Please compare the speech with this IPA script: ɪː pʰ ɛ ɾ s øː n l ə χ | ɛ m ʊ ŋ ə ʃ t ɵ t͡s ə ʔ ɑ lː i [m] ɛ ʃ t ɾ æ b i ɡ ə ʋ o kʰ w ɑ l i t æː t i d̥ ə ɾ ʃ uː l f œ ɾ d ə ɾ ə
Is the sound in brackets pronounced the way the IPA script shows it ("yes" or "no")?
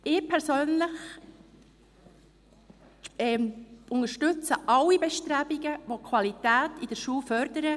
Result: no